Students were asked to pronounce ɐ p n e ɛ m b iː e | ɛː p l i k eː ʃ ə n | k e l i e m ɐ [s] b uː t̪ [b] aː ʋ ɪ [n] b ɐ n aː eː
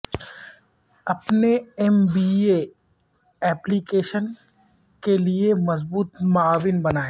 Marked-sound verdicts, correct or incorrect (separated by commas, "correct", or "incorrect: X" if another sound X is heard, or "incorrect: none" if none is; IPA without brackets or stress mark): incorrect: z, incorrect: m, correct